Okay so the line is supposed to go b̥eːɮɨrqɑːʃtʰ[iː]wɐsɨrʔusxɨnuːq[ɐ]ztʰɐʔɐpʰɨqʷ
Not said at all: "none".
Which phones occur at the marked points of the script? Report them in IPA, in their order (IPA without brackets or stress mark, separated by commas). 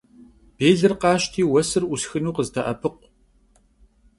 iː, ə